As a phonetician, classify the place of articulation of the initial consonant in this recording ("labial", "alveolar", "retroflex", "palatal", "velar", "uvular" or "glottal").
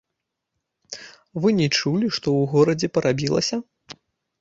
labial